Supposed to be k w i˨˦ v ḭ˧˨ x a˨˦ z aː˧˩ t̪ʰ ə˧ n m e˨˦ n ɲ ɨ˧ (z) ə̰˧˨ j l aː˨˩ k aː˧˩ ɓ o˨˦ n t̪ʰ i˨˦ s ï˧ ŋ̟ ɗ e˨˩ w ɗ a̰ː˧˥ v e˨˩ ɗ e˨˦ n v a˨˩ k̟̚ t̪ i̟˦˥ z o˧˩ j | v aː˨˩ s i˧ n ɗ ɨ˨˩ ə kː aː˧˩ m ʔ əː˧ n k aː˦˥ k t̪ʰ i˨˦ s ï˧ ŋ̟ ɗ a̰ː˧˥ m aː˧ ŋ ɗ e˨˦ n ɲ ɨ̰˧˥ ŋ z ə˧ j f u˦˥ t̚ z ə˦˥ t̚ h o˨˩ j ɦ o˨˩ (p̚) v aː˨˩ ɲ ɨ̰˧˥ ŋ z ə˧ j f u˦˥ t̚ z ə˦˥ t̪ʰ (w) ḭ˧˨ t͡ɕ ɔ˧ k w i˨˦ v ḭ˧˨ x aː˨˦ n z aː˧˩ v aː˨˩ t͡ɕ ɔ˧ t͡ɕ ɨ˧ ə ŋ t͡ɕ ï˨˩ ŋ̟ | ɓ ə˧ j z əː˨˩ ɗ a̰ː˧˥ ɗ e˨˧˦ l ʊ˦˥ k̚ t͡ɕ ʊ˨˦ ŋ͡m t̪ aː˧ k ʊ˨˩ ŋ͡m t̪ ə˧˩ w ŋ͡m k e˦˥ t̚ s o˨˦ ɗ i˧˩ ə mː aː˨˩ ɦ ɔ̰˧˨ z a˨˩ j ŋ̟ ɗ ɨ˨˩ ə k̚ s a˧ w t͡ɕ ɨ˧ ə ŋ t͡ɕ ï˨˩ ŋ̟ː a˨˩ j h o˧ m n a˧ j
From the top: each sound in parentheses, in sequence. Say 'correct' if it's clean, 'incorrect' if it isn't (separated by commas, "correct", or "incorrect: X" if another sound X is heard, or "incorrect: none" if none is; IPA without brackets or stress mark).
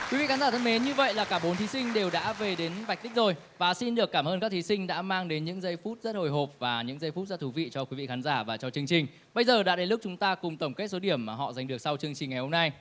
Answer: incorrect: v, correct, incorrect: v